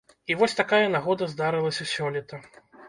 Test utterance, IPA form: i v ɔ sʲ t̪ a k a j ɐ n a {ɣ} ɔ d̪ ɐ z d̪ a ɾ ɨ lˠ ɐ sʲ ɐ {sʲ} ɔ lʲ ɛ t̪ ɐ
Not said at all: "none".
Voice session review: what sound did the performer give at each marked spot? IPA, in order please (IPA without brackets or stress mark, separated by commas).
ɣ, sʲ